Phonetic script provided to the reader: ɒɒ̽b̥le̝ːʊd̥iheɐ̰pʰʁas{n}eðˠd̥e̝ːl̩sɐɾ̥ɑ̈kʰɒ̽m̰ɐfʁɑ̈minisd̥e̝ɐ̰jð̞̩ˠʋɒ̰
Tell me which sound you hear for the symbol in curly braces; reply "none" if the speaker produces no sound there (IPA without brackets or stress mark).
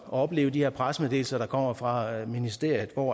m